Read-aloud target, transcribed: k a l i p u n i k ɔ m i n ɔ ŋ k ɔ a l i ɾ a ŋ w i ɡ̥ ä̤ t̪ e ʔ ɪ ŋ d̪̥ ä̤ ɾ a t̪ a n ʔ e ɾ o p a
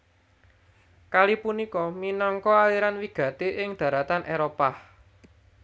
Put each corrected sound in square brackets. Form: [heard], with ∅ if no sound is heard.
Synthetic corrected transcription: k a l i p u n i k ɔ m i n ɔ ŋ k ɔ a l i ɾ a [n] w i ɡ̥ ä̤ t̪ e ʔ ɪ ŋ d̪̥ ä̤ ɾ a t̪ a n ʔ e ɾ o p a